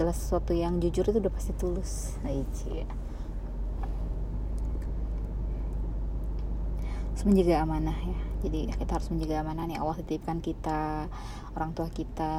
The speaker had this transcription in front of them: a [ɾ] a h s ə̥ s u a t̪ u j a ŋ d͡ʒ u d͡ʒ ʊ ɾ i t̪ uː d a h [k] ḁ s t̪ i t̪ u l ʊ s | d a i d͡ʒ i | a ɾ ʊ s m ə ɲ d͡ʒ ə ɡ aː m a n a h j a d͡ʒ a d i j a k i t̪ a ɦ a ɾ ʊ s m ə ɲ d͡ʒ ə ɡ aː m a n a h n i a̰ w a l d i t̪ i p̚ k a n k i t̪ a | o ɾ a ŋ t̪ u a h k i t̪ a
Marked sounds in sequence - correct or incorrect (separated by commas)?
incorrect, incorrect